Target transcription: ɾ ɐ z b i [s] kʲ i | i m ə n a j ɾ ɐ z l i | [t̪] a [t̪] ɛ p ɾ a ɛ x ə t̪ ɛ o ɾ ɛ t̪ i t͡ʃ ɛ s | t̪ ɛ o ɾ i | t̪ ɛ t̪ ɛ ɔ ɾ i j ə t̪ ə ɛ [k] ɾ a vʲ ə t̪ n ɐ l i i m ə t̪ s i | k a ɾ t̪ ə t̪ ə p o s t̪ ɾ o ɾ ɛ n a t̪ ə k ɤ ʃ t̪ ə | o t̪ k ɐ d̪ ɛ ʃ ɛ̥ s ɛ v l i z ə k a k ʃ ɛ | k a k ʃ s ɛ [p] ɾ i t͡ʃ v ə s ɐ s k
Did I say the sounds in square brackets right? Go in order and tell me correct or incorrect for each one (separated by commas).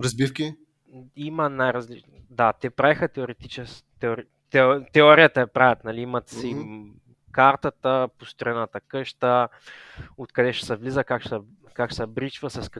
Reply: incorrect, incorrect, correct, incorrect, incorrect